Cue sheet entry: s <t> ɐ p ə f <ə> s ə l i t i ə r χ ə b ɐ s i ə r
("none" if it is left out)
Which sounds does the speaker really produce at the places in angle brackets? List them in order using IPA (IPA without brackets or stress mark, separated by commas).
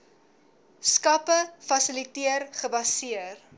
k, ɐ